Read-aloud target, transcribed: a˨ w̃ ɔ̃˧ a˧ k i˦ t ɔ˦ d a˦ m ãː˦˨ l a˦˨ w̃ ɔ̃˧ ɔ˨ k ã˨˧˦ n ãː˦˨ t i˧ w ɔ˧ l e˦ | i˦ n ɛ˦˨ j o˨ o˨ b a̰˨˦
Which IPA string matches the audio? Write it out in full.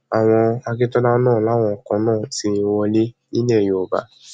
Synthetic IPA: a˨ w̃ ɔ̃˧ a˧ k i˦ t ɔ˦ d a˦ n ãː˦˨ l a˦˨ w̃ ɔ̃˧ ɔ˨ k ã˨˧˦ n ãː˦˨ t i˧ w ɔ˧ l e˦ | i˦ n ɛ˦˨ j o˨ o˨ b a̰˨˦